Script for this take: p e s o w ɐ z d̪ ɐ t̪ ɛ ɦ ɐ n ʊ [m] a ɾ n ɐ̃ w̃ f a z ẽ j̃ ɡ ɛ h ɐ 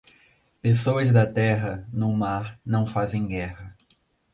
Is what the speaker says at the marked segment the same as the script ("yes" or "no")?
yes